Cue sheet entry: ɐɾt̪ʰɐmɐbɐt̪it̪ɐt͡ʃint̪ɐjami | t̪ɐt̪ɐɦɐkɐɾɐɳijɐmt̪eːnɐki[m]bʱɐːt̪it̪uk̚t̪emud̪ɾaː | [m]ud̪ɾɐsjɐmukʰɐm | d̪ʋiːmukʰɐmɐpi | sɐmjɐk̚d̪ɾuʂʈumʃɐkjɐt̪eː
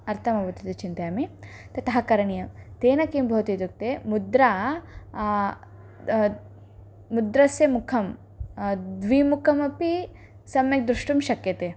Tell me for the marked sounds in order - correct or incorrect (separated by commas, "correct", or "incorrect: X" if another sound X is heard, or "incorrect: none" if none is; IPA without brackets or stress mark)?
correct, correct